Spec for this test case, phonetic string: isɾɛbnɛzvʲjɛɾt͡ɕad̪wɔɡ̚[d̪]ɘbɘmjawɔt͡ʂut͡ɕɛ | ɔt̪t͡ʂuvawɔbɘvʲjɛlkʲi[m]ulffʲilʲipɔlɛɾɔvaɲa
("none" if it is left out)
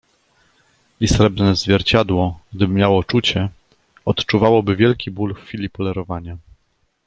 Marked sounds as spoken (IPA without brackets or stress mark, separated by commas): d̪, b